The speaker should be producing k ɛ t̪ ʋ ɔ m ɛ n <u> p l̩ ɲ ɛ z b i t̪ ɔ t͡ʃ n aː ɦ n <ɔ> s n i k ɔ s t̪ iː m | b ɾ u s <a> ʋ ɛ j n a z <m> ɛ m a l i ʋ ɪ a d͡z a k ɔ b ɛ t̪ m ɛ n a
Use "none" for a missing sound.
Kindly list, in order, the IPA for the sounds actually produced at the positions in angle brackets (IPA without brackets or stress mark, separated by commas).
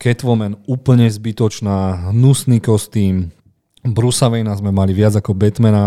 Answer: uː, u, a, m